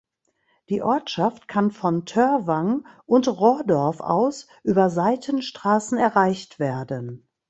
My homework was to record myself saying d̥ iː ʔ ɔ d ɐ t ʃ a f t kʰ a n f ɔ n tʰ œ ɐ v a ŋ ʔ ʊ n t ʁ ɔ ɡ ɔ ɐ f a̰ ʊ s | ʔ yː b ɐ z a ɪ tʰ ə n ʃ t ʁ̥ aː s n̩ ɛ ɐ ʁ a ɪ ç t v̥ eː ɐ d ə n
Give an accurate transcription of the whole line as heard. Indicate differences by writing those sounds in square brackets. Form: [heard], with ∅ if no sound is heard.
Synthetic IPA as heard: d̥ iː ʔ ɔ [∅] ɐ t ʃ a f t kʰ a n f ɔ n tʰ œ ɐ v a ŋ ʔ ʊ n t ʁ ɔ [d] ɔ ɐ f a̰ ʊ s | ʔ yː b ɐ z a ɪ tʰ ə n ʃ t ʁ̥ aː s n̩ ɛ ɐ ʁ a ɪ ç t v̥ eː ɐ d ə n